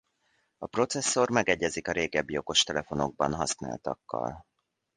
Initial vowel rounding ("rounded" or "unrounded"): rounded